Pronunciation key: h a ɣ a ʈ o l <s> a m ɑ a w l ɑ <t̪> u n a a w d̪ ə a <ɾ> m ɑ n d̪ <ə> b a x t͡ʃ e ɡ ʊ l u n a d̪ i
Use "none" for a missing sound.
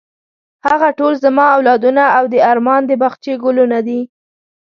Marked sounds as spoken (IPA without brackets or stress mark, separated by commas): z, d̪, ɾ, ə